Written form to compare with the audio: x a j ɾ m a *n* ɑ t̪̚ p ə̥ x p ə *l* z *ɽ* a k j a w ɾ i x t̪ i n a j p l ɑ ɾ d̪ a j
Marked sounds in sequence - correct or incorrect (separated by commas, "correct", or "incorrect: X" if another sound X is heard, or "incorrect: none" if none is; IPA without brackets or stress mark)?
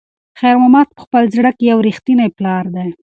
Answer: incorrect: m, correct, correct